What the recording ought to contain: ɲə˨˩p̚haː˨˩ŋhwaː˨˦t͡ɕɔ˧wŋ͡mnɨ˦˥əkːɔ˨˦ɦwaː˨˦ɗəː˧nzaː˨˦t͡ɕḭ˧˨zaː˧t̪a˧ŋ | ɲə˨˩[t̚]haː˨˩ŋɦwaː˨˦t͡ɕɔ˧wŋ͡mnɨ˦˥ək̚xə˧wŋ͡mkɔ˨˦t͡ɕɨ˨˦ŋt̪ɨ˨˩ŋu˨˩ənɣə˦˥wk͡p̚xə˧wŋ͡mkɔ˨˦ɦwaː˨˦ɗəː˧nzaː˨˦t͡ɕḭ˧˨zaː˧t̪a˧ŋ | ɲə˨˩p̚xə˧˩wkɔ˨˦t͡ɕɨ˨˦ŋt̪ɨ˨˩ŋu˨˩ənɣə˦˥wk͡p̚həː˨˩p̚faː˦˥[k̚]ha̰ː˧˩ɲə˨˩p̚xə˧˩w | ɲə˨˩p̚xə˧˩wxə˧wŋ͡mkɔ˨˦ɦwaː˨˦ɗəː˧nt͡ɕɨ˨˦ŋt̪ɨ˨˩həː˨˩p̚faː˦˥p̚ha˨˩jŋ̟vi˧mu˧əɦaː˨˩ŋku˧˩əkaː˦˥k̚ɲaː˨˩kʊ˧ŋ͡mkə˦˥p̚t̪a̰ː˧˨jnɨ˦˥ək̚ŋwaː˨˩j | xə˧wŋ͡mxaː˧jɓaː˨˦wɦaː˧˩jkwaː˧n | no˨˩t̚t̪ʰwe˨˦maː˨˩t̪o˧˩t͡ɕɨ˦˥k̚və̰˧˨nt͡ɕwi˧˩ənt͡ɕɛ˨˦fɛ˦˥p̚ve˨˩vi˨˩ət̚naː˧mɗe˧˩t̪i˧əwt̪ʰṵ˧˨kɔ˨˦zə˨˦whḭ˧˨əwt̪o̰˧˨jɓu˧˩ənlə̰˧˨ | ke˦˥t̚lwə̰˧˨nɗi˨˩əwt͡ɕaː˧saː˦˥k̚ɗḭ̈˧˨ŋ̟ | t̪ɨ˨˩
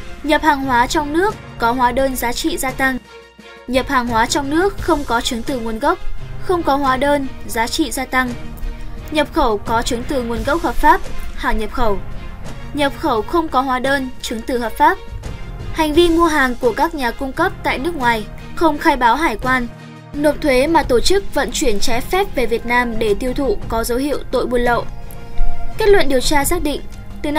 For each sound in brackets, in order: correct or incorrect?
incorrect: p̚, incorrect: p̚

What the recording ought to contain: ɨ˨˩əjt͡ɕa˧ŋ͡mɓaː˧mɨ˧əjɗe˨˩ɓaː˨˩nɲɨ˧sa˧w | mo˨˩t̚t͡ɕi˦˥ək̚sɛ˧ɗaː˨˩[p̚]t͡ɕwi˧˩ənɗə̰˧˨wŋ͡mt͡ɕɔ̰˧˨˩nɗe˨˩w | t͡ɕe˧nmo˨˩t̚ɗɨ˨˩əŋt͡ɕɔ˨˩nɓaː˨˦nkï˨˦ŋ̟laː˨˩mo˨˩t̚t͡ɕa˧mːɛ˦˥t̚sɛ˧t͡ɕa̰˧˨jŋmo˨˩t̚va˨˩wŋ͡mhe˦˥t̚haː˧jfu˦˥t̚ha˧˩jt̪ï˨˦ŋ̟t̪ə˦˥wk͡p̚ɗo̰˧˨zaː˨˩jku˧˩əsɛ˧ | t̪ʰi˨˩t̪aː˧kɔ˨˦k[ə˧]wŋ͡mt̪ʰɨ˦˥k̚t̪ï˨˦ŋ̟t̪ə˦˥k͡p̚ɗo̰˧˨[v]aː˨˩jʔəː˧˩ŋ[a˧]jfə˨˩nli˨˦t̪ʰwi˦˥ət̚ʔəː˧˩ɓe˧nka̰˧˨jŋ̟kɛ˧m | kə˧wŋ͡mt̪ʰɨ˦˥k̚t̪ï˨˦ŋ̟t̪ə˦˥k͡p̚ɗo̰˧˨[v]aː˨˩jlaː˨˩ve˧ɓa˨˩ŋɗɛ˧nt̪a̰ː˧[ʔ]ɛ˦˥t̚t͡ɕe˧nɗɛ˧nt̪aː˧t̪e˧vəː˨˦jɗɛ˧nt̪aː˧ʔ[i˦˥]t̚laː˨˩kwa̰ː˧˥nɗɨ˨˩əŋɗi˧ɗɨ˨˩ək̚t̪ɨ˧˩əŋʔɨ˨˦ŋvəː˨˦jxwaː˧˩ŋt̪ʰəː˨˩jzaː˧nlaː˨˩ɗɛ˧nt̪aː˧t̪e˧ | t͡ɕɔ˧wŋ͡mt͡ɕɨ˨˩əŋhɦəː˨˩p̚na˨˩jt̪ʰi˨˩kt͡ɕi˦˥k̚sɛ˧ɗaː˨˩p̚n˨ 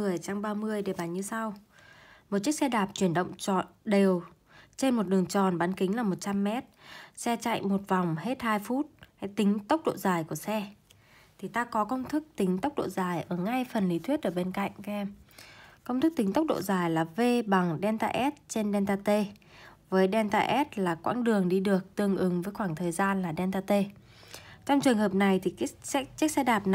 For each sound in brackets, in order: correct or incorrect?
correct, correct, incorrect: z, correct, incorrect: z, correct, incorrect: ɛ˦˥

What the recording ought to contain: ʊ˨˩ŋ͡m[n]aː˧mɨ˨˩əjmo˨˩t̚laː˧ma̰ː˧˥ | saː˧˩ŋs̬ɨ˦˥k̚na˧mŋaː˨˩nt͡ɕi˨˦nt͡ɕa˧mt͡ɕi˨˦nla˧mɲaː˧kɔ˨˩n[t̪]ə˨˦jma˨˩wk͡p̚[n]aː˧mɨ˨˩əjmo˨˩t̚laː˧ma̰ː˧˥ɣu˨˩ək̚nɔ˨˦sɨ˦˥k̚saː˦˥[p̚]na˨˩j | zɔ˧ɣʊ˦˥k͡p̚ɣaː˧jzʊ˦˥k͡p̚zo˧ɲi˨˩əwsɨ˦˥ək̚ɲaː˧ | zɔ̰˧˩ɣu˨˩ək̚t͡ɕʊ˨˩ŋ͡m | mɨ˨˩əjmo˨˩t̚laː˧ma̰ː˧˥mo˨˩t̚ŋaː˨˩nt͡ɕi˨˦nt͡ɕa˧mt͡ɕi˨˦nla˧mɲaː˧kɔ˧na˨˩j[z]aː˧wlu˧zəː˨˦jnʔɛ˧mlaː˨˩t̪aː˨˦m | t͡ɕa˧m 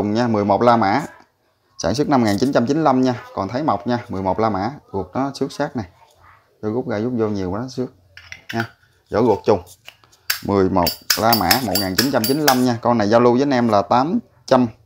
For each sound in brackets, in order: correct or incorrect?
incorrect: ɲ, incorrect: t̪ʰ, incorrect: ɲ, incorrect: k̚, correct

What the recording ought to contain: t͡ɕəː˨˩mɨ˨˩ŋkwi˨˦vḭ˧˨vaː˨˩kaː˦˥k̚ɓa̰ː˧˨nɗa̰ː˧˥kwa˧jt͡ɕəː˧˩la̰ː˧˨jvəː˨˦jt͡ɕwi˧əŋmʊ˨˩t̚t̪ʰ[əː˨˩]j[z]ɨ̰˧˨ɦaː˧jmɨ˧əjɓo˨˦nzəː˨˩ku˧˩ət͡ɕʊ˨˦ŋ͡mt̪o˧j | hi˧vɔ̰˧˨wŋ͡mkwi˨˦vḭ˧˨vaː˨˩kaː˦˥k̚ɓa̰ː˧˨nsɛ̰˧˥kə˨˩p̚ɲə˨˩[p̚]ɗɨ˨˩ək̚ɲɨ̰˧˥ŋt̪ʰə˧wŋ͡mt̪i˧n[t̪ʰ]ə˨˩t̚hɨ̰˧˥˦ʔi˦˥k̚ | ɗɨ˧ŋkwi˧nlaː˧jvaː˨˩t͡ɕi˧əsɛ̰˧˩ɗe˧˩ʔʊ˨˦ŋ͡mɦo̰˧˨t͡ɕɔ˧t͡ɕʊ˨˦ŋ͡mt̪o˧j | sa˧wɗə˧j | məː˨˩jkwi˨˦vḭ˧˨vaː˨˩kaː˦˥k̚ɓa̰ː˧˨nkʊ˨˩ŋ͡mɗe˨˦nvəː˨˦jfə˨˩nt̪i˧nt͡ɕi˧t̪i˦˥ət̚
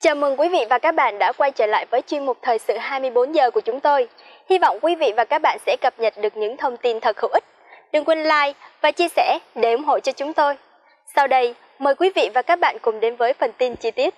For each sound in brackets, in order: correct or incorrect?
correct, incorrect: s, incorrect: t̚, correct

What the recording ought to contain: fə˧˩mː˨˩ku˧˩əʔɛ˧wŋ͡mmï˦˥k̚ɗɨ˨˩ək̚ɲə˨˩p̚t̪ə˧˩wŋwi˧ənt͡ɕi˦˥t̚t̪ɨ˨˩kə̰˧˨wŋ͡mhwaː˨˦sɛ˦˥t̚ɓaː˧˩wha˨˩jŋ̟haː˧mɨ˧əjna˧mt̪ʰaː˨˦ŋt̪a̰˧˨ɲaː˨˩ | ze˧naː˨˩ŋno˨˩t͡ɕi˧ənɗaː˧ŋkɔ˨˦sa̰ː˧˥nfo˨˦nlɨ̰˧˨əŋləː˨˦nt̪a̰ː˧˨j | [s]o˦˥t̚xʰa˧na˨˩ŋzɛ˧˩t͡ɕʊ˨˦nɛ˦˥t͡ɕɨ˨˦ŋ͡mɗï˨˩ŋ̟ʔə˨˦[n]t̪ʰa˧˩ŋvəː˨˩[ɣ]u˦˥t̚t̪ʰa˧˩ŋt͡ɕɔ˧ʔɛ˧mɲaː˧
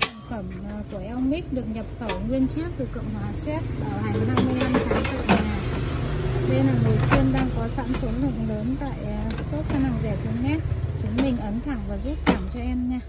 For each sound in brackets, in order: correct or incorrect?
correct, correct, incorrect: z

